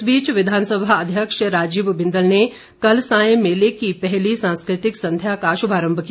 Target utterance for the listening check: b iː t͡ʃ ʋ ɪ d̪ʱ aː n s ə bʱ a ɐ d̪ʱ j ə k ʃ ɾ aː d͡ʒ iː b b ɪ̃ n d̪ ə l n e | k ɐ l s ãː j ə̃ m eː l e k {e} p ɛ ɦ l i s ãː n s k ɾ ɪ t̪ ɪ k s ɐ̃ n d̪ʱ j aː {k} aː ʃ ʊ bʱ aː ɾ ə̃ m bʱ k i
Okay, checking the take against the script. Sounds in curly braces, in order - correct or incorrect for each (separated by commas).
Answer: incorrect, correct